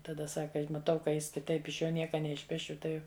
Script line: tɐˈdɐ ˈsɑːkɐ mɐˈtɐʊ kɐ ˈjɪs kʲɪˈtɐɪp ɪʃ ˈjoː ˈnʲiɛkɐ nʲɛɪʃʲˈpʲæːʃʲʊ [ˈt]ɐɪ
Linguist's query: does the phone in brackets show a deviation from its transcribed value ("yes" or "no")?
no